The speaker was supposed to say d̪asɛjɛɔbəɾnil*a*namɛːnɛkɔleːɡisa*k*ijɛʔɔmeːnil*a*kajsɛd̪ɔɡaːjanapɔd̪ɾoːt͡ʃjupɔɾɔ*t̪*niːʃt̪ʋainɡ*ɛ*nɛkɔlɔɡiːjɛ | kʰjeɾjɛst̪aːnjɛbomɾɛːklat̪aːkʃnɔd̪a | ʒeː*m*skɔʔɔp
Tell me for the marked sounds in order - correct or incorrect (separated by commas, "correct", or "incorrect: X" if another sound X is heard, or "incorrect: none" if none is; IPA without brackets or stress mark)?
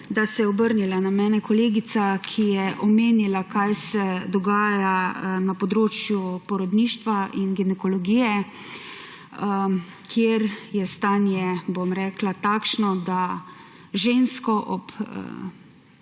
correct, incorrect: kʰ, correct, incorrect: d̪, incorrect: i, incorrect: n